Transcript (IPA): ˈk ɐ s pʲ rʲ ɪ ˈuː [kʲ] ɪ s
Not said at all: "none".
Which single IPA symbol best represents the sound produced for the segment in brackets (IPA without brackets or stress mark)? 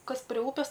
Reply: pʲ